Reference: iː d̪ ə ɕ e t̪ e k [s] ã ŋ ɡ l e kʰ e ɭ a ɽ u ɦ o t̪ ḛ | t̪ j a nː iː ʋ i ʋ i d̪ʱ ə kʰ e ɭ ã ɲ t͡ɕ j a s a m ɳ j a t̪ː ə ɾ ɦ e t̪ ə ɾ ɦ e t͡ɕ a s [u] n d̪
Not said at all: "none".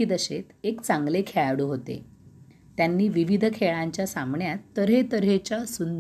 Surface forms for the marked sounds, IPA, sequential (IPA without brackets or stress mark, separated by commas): t͡s, u